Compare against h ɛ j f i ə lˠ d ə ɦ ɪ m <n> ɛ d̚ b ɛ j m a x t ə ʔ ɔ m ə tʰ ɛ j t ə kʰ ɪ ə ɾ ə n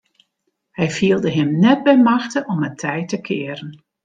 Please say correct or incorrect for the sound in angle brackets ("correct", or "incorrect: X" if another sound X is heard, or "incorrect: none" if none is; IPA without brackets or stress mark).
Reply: correct